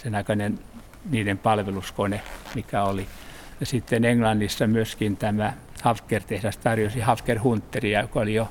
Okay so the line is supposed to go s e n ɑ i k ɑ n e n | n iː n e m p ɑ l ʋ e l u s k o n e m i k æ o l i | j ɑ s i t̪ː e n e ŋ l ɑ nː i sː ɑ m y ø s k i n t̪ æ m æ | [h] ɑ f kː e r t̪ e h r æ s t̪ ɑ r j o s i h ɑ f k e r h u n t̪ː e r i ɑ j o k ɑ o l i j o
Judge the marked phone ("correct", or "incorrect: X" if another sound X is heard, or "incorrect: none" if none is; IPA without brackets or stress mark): correct